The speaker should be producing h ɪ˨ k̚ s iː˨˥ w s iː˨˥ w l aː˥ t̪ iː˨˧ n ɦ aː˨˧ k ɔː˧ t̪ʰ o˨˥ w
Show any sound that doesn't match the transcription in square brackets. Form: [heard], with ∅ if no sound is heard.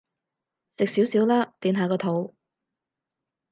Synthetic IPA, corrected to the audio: [s] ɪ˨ k̚ s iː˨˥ w s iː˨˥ w l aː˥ t̪ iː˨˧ n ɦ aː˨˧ k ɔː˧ t̪ʰ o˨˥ w

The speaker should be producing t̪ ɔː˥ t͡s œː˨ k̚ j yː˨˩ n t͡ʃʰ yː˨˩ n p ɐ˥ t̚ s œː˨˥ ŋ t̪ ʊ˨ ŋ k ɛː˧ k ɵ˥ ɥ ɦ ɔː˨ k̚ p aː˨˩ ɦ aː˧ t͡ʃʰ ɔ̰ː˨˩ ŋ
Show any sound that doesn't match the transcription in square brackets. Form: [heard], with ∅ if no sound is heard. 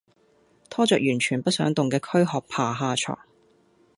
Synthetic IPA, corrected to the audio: [t̪ʰ] ɔː˥ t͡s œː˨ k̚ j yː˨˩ n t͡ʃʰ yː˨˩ n p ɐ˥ t̚ s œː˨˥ ŋ t̪ ʊ˨ ŋ k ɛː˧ [kʰ] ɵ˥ ɥ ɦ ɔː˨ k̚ [pʰ] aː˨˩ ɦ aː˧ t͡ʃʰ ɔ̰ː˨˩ ŋ

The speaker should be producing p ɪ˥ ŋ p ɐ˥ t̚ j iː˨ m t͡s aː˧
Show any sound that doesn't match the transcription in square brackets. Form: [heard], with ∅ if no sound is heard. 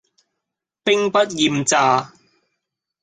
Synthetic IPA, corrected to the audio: p ɪ˥ ŋ p ɐ˥ t̚ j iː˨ m t͡s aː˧

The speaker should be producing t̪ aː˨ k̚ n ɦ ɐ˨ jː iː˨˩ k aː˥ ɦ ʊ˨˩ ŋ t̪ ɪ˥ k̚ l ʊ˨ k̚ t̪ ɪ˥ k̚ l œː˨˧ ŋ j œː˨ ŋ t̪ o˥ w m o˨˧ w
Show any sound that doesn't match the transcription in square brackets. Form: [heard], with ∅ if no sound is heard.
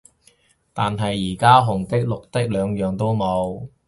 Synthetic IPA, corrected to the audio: t̪ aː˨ [∅] n ɦ ɐ˨ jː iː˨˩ k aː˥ ɦ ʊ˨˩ ŋ t̪ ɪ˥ k̚ l ʊ˨ k̚ t̪ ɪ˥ k̚ l œː˨˧ ŋ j œː˨ ŋ t̪ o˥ w m o˨˧ w

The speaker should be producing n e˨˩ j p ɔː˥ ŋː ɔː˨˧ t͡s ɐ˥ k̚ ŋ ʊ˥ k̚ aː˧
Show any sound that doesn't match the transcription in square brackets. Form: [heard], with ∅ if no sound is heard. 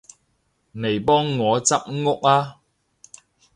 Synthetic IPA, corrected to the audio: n e˨˩ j p ɔː˥ ŋː ɔː˨˧ t͡s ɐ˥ [p̚] ŋ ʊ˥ k̚ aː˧

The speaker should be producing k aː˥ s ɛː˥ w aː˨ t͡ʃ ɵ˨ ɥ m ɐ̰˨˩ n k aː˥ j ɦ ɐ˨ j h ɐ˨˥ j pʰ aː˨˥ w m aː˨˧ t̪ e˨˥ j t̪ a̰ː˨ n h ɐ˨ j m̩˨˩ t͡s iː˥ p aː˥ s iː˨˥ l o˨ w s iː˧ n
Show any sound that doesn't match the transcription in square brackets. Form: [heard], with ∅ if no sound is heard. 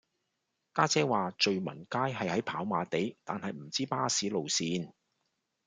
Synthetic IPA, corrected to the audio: k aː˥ [t͡s] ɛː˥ w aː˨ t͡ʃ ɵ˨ ɥ m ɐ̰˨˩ n k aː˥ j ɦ ɐ˨ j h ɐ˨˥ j pʰ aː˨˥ w m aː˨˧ t̪ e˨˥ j t̪ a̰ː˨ n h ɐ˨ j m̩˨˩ t͡s iː˥ p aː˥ s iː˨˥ l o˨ w s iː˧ n

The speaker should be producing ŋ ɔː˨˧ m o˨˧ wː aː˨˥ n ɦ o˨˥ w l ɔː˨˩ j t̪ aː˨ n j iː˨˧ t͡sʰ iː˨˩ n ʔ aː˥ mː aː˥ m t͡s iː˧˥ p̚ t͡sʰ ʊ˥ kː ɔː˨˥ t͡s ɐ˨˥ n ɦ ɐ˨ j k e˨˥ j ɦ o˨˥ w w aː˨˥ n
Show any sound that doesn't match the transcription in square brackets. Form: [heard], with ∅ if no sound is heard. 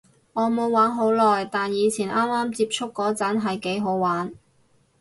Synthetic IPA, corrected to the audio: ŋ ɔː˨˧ m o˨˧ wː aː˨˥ n ɦ o˨˥ w l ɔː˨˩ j t̪ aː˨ n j iː˨˧ t͡sʰ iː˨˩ n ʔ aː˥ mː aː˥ m t͡s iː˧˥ p̚ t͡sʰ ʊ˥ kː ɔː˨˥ t͡s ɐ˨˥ n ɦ ɐ˨ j k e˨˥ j ɦ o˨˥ w w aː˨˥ n

